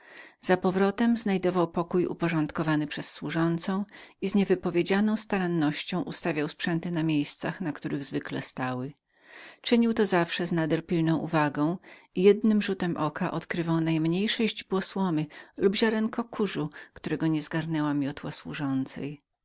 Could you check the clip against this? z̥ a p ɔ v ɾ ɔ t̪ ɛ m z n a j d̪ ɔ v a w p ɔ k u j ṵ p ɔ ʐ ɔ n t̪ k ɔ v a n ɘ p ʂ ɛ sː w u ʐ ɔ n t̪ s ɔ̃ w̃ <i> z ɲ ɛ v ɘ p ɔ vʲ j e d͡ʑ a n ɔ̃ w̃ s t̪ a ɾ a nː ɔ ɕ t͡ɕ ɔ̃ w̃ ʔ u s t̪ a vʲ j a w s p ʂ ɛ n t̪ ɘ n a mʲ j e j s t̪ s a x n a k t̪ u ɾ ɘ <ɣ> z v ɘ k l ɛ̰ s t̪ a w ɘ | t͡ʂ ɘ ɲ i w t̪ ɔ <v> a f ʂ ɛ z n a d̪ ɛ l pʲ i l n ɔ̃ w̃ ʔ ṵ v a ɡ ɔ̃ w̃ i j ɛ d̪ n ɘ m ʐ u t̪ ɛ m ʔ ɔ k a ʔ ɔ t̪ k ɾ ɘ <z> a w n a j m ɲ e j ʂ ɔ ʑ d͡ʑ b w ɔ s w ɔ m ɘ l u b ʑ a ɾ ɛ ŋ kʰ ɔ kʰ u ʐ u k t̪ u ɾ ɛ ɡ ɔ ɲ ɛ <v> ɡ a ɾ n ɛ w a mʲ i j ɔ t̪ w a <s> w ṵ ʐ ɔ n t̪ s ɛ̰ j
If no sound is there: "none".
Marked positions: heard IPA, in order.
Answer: i, ɣ, z, v, z, s

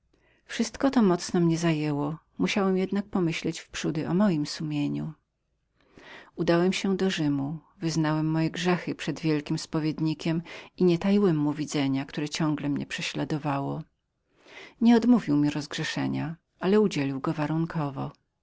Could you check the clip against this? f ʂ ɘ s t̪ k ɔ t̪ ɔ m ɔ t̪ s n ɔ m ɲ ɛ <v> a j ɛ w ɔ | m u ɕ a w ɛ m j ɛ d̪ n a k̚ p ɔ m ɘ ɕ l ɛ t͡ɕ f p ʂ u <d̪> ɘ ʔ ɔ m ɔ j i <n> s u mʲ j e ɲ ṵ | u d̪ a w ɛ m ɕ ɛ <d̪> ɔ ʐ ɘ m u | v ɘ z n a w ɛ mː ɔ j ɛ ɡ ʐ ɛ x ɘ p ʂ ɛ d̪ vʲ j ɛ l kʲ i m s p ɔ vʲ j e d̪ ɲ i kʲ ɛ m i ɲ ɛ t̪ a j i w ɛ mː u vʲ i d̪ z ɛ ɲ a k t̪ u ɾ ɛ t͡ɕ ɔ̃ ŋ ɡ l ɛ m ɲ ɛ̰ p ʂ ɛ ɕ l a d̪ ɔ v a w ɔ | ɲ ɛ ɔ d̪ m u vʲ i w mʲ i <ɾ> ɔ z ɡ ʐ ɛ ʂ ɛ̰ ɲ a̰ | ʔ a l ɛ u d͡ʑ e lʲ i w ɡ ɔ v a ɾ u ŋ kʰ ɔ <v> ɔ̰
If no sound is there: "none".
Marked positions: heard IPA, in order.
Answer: z, d̪, m, d̪, ɾ, v

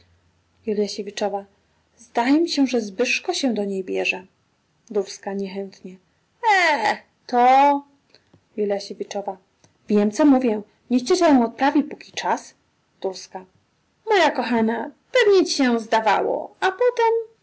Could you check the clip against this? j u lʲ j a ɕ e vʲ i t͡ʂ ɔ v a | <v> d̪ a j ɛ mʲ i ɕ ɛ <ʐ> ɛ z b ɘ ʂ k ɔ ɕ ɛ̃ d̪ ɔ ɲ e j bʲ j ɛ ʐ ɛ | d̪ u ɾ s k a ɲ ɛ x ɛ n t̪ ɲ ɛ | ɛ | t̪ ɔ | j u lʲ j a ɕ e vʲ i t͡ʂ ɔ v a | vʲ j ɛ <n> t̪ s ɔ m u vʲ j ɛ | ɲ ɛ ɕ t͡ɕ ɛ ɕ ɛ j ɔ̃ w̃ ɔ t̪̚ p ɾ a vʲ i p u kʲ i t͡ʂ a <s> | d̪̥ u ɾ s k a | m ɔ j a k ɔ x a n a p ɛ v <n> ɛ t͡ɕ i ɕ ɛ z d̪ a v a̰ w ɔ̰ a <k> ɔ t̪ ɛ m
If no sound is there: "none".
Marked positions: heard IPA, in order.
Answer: z, ʐ, m, s, ɲ, p

